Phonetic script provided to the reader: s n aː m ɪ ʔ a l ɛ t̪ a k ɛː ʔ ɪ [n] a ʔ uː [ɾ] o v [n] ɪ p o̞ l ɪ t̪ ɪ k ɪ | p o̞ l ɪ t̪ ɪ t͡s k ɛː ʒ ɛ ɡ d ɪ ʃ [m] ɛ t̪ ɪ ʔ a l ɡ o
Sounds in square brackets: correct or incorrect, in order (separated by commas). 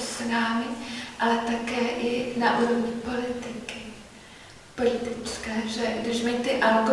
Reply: correct, correct, incorrect, correct